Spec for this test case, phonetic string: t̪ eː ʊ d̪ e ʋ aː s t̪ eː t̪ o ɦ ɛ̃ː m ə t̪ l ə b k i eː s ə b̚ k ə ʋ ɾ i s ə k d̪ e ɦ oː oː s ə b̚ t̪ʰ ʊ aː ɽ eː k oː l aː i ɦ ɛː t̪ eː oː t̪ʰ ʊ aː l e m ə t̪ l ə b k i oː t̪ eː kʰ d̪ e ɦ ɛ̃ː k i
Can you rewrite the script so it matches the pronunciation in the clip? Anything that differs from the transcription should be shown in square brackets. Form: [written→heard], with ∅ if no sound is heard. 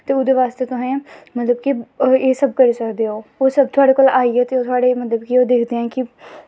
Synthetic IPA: t̪ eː ʊ d̪ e ʋ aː s t̪ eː t̪ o ɦ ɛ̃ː m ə t̪ l ə b k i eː s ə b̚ k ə [ʋ→∅] ɾ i s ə k d̪ e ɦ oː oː s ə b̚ t̪ʰ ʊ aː ɽ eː k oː l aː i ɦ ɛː t̪ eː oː t̪ʰ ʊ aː [l→ɽ] e m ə t̪ l ə b k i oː [t̪→d̪] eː kʰ d̪ e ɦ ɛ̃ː k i